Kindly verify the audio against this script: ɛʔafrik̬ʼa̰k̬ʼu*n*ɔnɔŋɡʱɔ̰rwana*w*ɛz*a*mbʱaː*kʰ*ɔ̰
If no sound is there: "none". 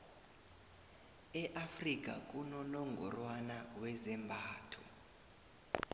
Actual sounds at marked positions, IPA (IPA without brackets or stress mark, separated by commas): n, w, ɛ, tʰ